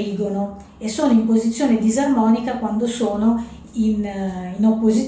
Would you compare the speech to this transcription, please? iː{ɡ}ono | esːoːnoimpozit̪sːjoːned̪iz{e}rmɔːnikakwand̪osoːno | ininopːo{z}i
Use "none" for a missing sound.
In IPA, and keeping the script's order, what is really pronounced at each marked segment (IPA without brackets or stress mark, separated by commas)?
ɡ, a, z